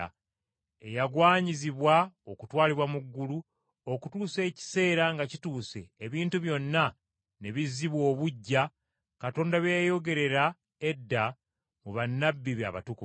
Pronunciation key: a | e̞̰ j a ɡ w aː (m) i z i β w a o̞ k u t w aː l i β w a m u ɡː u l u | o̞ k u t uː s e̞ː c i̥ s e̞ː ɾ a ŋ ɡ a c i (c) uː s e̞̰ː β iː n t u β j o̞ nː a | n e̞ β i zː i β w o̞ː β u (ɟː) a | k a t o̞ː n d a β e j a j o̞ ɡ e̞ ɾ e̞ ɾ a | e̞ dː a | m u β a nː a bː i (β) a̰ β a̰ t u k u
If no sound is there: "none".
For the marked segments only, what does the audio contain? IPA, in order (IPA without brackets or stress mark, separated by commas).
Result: ɲ, t, ɟː, β